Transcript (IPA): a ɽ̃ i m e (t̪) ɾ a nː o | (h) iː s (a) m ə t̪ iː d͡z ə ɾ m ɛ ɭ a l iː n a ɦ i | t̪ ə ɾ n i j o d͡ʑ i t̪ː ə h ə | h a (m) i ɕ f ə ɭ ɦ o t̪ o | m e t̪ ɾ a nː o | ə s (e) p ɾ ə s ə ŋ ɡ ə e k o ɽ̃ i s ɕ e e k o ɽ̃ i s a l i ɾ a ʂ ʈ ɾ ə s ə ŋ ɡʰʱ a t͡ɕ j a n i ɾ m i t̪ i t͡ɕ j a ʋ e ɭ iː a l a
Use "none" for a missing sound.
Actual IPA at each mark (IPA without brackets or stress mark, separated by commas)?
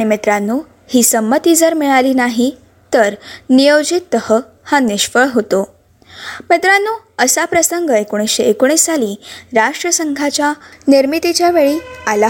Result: t̪, h, ə, n, a